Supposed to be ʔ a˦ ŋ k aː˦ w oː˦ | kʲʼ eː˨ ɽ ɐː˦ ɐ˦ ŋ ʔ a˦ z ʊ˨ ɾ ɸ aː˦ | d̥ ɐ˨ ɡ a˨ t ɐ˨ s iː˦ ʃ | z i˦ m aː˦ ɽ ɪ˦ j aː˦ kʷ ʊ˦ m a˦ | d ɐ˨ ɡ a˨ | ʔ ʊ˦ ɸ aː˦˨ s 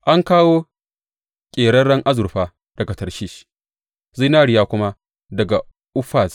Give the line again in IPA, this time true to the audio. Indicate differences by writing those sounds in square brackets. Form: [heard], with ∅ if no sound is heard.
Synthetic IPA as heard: ʔ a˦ ŋ k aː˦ w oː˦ | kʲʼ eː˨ ɽ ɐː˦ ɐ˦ ŋ ʔ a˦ z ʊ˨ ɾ ɸ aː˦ | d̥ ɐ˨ ɡ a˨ t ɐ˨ [ʃ] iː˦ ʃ | z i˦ [n] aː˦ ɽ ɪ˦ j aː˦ kʷ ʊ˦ m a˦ | d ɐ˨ ɡ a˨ | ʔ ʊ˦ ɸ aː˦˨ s

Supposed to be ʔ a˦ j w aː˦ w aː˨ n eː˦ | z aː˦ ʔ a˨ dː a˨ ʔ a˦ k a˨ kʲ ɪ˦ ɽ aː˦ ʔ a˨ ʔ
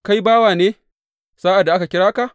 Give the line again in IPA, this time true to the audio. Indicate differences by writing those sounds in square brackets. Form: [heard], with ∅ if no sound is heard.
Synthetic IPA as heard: [k] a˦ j [b] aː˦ w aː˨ n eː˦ | [s] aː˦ ʔ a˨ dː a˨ ʔ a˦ k a˨ kʲ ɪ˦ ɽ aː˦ [k] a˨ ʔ

